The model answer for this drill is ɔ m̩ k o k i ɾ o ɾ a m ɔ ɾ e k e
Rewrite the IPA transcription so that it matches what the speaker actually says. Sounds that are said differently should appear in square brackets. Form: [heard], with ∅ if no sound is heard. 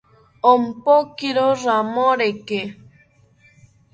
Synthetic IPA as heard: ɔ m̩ [p] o k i ɾ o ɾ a m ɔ ɾ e k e